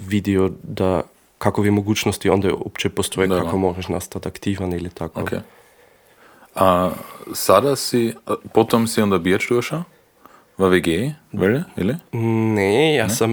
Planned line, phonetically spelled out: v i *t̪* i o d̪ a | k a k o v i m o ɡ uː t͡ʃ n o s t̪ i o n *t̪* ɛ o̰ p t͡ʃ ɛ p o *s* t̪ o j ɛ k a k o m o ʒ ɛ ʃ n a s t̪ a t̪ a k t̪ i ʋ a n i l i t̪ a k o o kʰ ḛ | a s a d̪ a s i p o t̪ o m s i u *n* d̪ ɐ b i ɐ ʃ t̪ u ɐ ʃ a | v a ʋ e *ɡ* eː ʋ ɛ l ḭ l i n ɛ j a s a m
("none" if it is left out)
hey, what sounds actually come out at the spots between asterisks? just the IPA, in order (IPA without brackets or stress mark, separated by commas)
d̪, d̪, s, n, ɡ